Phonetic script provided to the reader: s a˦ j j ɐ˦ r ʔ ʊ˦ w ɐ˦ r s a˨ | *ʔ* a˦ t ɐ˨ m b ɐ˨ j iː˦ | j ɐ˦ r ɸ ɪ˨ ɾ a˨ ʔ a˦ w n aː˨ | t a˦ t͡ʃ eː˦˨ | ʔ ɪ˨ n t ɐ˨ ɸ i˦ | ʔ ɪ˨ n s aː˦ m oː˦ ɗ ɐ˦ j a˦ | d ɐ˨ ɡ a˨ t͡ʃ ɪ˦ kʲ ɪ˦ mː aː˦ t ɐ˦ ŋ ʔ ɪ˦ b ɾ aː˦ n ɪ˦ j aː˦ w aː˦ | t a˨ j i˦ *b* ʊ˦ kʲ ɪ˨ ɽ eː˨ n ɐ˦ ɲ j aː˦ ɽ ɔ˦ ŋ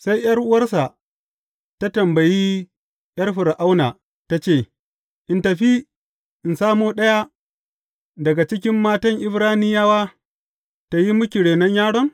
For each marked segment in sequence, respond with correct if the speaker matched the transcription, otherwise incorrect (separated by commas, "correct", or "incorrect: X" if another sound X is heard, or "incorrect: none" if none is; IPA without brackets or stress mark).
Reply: incorrect: t, incorrect: m